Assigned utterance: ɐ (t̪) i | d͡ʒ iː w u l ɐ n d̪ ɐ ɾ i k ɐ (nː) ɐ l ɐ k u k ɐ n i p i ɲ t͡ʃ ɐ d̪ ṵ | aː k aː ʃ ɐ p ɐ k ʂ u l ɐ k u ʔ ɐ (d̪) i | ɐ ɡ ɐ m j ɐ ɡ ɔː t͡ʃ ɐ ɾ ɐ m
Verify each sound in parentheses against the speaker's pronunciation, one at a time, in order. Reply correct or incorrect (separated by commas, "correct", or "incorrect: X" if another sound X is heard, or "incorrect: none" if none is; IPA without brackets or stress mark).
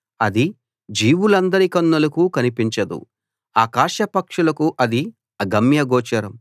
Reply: incorrect: d̪, correct, correct